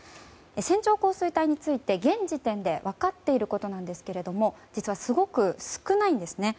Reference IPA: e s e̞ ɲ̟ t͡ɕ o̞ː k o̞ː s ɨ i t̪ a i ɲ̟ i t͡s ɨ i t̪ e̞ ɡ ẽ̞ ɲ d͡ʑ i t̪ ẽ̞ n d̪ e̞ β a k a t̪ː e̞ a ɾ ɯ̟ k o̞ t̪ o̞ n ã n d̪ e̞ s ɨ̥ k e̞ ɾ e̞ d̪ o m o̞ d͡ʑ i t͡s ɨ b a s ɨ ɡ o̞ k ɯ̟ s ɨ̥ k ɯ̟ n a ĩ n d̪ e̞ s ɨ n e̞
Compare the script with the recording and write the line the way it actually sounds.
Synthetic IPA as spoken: e s ẽ̞ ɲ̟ t͡ɕ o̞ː k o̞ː s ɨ i t̪ a i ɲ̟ i t͡s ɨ i t̪ e̞ ɡ ẽ̞ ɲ d͡ʑ i t̪ ẽ̞ n d̪ e̞ β a k a t̪ː e̞ i ɾ ɯ̟ k o̞ t̪ o̞ n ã n d̪ e̞ s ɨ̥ k e̞ ɾ e̞ d̪ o m o̞ d͡ʑ i t͡s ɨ β a s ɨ ɡ o̞ k ɯ̟ s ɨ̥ k ɯ̟ n a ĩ n d̪ e̞ s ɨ n e̞